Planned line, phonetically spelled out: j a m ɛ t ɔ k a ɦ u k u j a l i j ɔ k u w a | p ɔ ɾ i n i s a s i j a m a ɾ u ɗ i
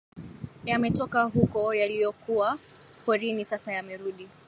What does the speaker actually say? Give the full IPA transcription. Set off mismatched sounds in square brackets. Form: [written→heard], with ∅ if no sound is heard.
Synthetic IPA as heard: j a m ɛ t ɔ k a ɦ u k [u→ɔ] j a l i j ɔ k u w a | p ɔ ɾ i n i s a s [i→a] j a m [a→ɛ] ɾ u ɗ i